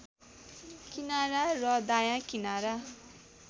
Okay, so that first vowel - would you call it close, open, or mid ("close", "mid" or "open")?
close